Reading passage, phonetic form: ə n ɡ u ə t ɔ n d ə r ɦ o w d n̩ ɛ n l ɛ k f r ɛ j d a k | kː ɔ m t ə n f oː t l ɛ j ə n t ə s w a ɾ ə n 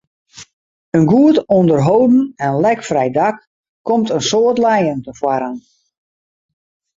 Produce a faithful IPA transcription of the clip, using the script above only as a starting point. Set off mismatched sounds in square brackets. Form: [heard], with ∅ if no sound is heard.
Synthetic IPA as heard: ə n ɡ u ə t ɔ n d ə r ɦ o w d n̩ ɛ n l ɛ k f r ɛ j d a k | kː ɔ m t ə n [s] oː t l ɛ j ə n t ə [f] w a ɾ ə n

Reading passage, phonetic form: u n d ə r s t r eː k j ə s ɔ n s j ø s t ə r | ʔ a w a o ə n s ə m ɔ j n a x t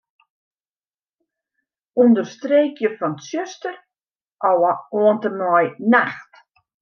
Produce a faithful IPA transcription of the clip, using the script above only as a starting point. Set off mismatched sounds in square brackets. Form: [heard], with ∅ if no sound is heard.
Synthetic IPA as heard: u n d ə r s t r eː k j ə [f] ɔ n s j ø s t ə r | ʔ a w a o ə n [t] ə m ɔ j n a x t

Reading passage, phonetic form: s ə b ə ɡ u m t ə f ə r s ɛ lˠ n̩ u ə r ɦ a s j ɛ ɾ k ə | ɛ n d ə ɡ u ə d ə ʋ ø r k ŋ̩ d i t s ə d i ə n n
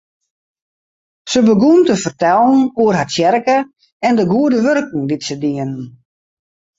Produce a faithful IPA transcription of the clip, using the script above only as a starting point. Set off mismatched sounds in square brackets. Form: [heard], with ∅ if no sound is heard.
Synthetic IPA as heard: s ə b ə ɡ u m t ə f ə r [t] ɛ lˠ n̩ u ə r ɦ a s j ɛ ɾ k ə | ɛ n d ə ɡ u ə d ə ʋ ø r k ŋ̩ d i t s ə d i ə n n

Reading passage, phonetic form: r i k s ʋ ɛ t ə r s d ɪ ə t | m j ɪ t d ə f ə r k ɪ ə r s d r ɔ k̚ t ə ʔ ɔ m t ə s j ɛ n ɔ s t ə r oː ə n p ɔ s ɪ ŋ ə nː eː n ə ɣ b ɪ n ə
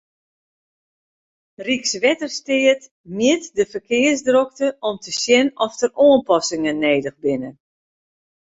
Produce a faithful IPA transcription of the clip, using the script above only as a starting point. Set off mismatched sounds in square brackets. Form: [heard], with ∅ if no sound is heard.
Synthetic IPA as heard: r i k s ʋ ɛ t ə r s [t] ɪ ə t | m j ɪ t d ə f ə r k ɪ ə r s d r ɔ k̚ t ə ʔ ɔ m t ə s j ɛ n ɔ [f] t ə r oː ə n p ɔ s ɪ ŋ ə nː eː [d] ə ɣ b ɪ n ə

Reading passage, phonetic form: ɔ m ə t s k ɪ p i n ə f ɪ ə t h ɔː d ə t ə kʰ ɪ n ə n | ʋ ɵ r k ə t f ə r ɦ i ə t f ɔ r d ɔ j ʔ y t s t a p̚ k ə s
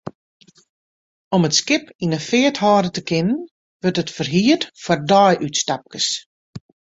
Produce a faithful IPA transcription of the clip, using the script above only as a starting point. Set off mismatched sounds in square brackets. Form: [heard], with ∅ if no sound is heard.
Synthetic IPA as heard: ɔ m ə t s k ɪ p i n ə f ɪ ə t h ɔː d ə t ə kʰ ɪ n ə n | ʋ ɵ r [t] ə t f ə r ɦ i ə t f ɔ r d ɔ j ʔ y t s t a p̚ k ə s

